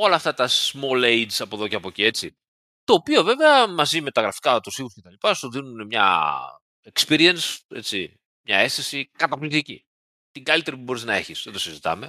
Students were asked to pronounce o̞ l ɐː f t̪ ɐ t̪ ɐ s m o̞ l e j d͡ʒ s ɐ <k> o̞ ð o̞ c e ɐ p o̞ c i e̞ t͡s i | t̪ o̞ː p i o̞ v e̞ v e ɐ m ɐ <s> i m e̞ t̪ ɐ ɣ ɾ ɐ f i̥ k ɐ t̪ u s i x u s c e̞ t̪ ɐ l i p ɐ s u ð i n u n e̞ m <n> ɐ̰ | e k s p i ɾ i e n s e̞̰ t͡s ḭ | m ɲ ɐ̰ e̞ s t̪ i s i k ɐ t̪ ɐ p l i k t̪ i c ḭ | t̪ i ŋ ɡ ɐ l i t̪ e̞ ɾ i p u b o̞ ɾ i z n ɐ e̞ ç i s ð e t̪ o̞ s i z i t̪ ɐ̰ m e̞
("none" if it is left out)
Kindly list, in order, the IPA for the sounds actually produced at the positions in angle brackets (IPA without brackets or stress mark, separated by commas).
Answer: p, z, ɲ